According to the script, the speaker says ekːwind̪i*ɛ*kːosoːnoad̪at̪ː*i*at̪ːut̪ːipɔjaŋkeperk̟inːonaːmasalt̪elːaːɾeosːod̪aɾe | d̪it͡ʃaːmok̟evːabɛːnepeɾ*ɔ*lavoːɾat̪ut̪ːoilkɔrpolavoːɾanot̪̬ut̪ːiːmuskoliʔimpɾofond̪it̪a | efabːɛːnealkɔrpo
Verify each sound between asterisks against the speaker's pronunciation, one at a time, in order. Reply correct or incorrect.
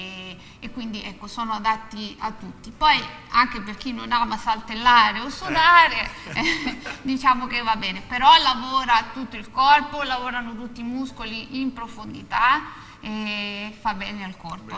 correct, correct, correct

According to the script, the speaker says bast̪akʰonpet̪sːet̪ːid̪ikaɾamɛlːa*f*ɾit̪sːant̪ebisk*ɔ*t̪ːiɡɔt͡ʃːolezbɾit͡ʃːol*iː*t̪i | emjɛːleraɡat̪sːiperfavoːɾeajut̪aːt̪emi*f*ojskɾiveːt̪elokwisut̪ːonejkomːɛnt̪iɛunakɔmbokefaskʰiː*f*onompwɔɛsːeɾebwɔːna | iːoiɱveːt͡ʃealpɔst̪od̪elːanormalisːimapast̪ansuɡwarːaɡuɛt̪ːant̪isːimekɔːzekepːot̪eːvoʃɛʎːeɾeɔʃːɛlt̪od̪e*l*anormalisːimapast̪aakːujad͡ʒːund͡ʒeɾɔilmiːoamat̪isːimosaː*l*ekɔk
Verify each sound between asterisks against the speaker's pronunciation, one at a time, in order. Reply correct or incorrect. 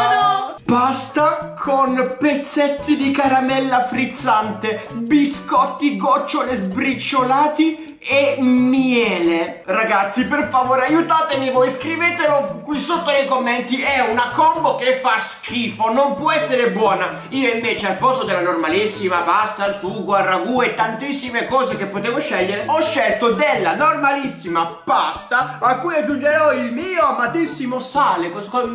correct, correct, incorrect, incorrect, correct, incorrect, correct

